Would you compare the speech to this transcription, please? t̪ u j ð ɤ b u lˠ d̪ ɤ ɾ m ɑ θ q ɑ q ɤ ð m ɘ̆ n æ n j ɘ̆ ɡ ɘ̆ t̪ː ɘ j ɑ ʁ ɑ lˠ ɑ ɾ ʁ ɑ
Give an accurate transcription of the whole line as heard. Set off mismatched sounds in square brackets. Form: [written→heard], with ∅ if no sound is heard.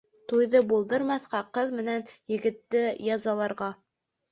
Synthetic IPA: t̪ u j ð ɤ b u lˠ d̪ ɤ ɾ m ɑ θ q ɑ q ɤ ð m ɘ̆ n æ n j ɘ̆ ɡ ɘ̆ t̪ː ɘ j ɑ [ʁ→z] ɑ lˠ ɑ ɾ ʁ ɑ